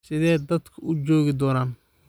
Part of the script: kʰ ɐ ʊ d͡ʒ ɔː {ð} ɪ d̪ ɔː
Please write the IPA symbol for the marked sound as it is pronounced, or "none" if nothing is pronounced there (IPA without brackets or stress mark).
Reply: ɣ